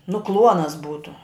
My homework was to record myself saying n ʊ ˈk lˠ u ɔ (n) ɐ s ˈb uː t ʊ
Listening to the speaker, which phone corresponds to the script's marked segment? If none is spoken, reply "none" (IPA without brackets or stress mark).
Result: n